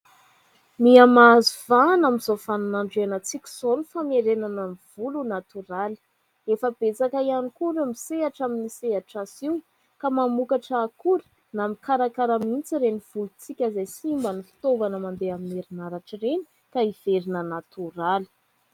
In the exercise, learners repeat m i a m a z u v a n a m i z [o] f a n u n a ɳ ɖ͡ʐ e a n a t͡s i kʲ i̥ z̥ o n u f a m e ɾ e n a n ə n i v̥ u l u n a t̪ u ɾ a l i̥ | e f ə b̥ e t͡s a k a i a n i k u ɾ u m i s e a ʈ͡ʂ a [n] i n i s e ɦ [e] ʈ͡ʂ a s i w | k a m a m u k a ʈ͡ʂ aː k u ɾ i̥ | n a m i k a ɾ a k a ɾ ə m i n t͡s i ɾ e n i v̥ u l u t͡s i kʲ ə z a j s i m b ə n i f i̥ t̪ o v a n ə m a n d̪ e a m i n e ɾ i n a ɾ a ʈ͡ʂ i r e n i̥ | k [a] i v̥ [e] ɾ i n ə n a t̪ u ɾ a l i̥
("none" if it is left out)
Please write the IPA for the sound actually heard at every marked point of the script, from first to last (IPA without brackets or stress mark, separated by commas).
o, m, a, a, e